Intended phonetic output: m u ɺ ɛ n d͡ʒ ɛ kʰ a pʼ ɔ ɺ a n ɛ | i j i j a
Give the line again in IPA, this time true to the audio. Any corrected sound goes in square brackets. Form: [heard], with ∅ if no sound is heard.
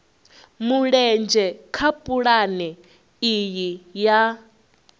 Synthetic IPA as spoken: m u ɺ ɛ n d͡ʒ ɛ kʰ a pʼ [u] ɺ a n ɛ | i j i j a

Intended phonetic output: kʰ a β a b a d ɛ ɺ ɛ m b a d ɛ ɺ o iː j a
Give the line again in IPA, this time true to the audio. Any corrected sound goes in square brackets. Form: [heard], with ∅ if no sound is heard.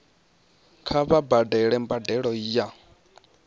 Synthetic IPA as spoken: kʰ a β a b a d ɛ ɺ ɛ m b a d ɛ ɺ [ɔ] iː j a

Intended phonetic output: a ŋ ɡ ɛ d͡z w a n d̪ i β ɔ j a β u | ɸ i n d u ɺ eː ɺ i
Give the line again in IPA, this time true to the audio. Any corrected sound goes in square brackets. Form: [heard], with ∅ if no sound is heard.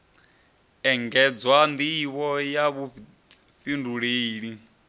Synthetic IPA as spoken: [ɛ] ŋ ɡ ɛ d͡z w a n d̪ i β ɔ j a β u | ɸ i n d u ɺ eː ɺ i

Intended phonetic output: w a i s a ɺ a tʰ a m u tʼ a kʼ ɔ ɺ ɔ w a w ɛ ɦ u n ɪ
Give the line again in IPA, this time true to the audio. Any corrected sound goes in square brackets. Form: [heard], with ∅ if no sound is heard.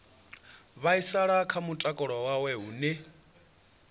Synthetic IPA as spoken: [β] a i s a ɺ a [kʰ] a m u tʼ a kʼ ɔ ɺ ɔ w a w ɛ ɦ u n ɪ

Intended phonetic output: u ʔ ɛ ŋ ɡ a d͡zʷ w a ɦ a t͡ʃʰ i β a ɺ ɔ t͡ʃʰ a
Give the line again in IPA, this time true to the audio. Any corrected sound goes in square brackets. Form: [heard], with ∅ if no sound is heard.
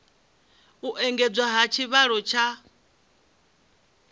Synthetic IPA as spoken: u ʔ ɛ ŋ ɡ [ɛ] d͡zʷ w a ɦ a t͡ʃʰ i β a ɺ ɔ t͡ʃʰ a

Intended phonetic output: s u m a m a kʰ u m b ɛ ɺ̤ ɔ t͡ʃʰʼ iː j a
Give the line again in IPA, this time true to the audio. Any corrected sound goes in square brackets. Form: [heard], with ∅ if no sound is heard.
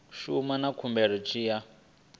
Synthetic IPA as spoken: [ʃ] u m a [n] a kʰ u m b ɛ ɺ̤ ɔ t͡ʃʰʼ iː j a

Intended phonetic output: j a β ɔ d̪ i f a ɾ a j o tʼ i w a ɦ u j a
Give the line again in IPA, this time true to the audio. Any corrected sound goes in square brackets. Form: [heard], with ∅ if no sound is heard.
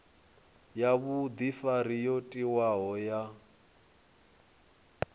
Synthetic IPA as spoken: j a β [u] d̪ i f a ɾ [i] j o tʼ i w a ɦ [ɔ] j a

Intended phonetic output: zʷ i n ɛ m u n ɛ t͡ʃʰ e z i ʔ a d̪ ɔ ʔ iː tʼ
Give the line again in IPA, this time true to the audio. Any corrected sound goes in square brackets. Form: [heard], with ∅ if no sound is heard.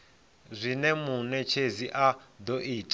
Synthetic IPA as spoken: zʷ i n ɛ m u n ɛ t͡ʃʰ e z i ʔ a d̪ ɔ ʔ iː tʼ

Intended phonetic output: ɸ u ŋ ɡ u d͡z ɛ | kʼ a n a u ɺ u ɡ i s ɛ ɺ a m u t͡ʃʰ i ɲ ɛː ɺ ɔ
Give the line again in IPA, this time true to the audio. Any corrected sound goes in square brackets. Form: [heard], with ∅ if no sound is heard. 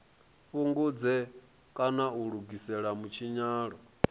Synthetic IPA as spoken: ɸ u ŋ ɡ u d͡z ɛ | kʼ a n a u ɺ u ɡ i s ɛ ɺ a m u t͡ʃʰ i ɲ [aː] ɺ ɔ

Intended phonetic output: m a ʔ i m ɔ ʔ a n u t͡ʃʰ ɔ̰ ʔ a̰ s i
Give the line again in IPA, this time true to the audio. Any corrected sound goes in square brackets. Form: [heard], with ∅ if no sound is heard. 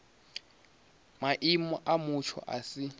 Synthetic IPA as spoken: m a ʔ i m ɔ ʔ a [m] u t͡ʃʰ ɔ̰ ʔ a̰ s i

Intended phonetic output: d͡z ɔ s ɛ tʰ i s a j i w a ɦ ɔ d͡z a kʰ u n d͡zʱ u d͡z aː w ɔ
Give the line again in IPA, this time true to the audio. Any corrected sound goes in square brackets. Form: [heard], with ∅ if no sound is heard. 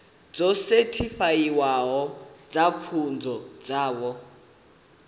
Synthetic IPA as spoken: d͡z ɔ s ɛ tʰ i [f] a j i w a ɦ ɔ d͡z a kʰ u n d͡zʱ [ɔ] d͡z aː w ɔ

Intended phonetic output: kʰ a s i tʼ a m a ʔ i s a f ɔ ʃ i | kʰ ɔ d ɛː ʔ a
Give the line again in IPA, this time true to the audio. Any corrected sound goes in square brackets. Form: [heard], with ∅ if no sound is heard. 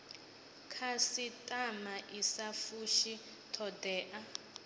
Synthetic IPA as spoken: kʰ a s i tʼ a m a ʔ i s a f [u] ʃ i | [tʰ] ɔ d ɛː ʔ a

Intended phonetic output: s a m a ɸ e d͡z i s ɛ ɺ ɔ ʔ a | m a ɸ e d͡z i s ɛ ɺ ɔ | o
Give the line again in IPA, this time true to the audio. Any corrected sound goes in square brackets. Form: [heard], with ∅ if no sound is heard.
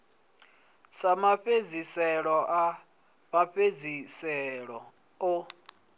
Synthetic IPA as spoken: s a m a ɸ e d͡z i s ɛ ɺ ɔ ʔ a | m a ɸ e d͡z i s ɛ ɺ ɔ | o

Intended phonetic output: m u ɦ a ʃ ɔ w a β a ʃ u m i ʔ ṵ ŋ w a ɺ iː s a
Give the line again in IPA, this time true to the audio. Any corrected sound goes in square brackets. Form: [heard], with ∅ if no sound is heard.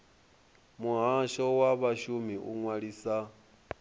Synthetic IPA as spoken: m u ɦ a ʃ ɔ w a β a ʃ u m i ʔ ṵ ŋ w a ɺ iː s a

